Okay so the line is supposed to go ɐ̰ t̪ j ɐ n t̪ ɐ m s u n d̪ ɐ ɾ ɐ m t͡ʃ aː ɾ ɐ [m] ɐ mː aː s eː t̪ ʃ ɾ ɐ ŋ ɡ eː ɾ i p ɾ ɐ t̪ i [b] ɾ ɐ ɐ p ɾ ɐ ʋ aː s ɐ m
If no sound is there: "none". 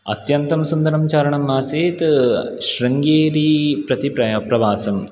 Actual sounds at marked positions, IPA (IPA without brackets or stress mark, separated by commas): ɳ, p